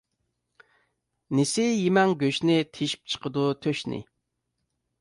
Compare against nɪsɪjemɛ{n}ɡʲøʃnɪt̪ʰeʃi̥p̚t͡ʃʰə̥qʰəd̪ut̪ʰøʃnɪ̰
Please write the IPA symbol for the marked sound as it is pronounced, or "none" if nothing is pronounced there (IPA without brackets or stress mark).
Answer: ŋ